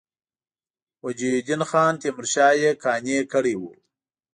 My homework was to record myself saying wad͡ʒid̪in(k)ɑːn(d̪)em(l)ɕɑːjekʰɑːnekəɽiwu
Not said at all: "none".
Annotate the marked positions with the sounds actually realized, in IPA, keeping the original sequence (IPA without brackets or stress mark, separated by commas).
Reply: x, t̪, ɾ